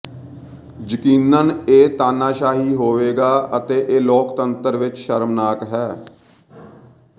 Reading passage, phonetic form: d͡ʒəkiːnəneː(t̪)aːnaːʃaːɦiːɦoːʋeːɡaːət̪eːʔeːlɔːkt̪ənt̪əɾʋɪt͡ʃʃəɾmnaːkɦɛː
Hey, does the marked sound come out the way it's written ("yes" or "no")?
yes